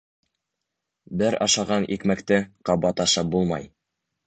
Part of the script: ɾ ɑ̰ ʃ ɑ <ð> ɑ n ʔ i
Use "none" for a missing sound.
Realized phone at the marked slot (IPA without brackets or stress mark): ʁ